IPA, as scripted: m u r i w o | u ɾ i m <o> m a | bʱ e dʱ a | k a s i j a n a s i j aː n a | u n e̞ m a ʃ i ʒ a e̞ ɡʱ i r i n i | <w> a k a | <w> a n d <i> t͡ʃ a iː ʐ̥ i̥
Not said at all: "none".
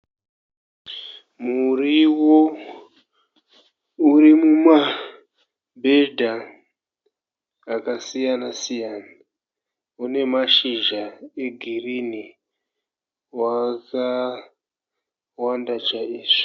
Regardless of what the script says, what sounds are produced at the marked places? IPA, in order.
u, w, w, a

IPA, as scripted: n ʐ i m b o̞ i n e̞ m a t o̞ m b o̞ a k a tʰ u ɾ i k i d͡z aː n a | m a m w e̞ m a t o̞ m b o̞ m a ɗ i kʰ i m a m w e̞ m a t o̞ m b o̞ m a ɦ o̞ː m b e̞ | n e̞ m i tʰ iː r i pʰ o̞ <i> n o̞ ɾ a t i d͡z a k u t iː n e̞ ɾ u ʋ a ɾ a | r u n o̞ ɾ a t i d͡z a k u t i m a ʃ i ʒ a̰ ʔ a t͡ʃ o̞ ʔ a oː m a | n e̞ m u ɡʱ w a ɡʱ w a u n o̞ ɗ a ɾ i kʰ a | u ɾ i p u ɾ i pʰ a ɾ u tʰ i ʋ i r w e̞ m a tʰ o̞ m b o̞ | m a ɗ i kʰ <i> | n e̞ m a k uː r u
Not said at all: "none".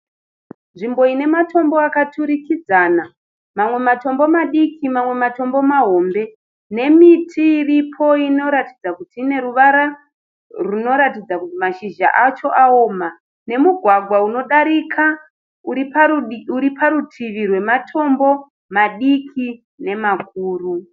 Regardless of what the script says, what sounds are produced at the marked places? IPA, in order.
i, i

